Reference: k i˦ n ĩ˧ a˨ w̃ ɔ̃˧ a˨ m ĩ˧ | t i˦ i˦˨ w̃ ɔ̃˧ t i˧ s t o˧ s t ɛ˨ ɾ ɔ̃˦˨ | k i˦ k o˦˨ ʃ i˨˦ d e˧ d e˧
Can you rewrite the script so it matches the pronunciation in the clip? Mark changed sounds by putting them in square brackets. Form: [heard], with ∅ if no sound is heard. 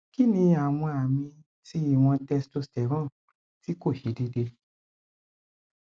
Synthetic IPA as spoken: k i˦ n ĩ˧ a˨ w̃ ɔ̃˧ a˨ m ĩ˧ | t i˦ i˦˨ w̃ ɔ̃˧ t [ɛ˧] s t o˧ s t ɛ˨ ɾ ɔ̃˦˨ | [t] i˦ k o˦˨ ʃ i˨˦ d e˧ d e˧